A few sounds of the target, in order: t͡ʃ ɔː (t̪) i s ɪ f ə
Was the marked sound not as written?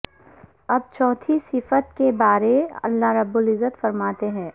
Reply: yes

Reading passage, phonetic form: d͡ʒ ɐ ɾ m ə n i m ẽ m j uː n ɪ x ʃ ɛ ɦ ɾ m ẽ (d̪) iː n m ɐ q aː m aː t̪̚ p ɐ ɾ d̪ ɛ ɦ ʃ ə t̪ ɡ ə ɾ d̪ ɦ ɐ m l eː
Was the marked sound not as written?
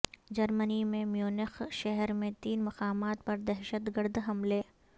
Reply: yes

